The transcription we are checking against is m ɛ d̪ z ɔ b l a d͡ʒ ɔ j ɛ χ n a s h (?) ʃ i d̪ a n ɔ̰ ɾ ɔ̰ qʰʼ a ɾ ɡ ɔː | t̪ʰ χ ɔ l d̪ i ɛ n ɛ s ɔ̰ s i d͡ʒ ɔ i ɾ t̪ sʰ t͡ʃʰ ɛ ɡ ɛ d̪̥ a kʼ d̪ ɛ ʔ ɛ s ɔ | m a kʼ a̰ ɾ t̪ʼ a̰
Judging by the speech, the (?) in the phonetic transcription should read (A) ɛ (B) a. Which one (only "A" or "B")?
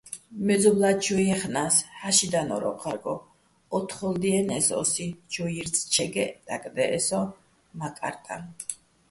B